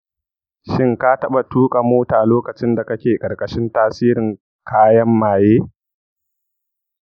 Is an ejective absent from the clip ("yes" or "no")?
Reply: no